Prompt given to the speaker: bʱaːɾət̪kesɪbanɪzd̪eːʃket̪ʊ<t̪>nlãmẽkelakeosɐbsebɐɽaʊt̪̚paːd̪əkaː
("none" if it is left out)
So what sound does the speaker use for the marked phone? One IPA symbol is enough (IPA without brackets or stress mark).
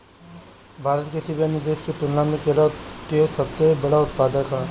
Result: none